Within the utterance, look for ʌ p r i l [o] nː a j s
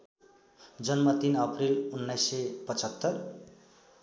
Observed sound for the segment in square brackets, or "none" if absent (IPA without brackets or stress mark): u